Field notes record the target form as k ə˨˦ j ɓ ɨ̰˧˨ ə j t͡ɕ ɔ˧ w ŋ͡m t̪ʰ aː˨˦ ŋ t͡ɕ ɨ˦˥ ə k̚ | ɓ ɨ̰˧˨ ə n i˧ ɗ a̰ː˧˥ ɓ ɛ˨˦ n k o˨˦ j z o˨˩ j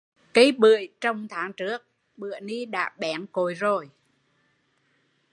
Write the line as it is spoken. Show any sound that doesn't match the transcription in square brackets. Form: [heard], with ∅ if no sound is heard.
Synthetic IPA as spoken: k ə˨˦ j ɓ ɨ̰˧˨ ə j t͡ɕ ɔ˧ w ŋ͡m t̪ʰ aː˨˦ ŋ t͡ɕ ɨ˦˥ ə k̚ | ɓ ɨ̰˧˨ ə n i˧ ɗ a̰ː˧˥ ɓ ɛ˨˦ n k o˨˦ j z o˨˩ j